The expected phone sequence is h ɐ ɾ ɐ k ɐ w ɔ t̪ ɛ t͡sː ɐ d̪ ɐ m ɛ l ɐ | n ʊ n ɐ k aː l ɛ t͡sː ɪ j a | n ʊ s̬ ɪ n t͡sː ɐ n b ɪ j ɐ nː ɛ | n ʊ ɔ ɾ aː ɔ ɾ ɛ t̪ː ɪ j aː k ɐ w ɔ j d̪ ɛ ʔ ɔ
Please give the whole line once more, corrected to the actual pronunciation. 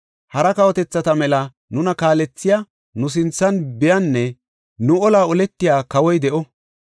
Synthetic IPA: h ɐ ɾ ɐ k ɐ w ɔ t̪ ɛ t͡sː ɐ t̪ ɐ m ɛ l ɐ | n ʊ n ɐ k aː l ɛ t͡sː ɪ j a | n ʊ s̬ ɪ n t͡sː ɐ n b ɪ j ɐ nː ɛ | n ʊ ɔ l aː ɔ l ɛ t̪ː ɪ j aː k ɐ w ɔ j d̪ ɛ ʔ ɔ